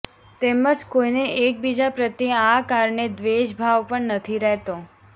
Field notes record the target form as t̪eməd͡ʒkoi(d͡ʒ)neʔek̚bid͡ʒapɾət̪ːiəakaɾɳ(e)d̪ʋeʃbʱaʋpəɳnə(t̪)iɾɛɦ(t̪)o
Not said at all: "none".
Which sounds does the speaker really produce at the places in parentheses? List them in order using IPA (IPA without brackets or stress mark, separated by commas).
none, e, t̪ʰ, t̪